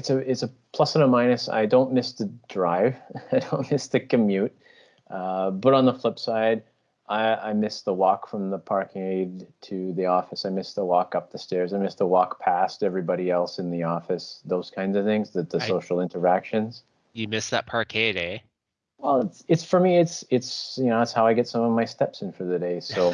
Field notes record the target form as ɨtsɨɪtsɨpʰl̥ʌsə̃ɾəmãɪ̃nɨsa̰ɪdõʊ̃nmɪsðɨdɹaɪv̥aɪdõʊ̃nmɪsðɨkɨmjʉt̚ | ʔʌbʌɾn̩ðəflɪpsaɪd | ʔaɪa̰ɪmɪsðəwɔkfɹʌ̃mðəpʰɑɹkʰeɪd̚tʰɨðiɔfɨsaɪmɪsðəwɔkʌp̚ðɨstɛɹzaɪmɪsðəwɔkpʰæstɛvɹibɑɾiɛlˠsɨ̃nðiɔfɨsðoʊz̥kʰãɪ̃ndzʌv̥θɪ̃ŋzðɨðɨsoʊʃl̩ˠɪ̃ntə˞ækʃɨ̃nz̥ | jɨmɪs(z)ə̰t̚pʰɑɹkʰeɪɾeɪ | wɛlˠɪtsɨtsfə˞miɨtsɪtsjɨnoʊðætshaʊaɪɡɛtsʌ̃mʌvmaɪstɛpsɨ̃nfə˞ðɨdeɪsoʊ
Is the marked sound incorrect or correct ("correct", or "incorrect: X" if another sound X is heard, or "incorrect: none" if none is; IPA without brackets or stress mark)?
incorrect: ð